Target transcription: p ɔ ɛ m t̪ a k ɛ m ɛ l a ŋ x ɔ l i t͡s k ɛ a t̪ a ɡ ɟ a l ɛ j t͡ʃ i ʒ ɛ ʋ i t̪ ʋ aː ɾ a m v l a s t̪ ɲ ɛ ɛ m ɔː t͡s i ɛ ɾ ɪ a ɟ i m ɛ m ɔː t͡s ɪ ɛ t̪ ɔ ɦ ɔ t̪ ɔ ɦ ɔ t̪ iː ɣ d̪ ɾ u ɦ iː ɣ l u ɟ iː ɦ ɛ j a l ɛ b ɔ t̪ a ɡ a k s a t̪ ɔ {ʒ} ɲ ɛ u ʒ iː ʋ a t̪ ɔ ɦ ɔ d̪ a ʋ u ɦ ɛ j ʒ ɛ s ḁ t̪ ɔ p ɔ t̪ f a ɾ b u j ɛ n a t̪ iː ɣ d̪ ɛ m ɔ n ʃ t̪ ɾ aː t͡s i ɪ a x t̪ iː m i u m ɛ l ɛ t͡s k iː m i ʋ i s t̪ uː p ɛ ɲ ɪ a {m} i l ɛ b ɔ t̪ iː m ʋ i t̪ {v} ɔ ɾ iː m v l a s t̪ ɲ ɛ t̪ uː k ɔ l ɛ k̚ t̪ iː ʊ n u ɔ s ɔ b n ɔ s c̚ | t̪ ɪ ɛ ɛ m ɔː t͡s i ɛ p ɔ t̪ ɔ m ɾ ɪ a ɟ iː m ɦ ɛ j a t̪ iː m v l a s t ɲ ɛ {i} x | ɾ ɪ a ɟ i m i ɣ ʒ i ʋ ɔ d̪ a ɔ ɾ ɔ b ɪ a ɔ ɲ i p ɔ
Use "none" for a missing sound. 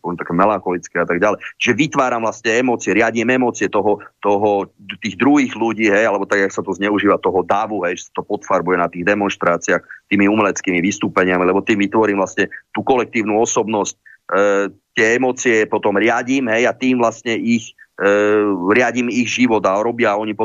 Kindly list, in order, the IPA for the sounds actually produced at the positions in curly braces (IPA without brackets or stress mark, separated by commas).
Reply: z, m, ʋ, i